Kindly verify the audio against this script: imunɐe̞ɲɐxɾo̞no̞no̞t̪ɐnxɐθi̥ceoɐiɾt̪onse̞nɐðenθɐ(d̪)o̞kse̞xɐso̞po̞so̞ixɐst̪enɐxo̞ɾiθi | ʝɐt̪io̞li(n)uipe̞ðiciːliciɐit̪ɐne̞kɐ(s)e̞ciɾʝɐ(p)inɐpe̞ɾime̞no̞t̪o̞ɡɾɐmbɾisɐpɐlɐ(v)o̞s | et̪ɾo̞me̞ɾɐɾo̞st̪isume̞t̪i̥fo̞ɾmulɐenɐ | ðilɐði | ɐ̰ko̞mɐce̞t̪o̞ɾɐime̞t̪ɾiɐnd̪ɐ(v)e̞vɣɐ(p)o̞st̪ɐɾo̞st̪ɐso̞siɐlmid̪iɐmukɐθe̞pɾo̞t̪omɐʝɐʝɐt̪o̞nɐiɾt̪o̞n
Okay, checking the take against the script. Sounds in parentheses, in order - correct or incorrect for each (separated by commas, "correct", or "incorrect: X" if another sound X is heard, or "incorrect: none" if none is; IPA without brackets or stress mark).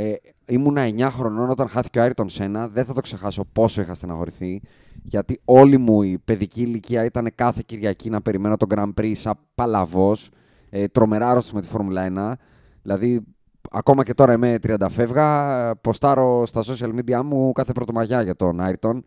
incorrect: t̪, incorrect: m, incorrect: θ, incorrect: c, correct, incorrect: f, correct